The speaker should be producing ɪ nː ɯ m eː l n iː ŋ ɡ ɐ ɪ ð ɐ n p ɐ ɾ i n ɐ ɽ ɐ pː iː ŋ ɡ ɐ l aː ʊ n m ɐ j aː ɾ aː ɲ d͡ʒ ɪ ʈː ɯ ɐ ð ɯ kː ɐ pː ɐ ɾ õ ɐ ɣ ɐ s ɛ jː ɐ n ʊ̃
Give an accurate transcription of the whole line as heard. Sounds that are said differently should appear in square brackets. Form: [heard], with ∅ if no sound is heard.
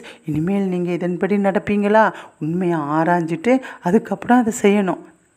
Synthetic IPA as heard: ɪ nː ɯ m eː l n iː ŋ ɡ ɐ ɪ ð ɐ n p ɐ [ɽ] i n ɐ ɽ ɐ pː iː ŋ ɡ ɐ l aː ʊ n m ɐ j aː ɾ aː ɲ d͡ʒ ɪ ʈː ɯ ɐ ð ɯ kː ɐ pː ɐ [ɽ] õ ɐ [ð] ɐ s ɛ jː ɐ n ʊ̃